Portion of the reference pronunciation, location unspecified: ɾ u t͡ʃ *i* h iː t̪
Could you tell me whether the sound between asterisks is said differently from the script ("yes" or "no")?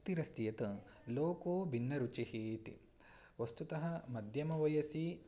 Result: no